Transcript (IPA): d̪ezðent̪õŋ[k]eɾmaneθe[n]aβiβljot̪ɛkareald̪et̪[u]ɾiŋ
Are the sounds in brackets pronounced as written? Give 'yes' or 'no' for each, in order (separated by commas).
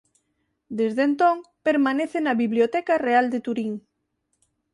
no, yes, yes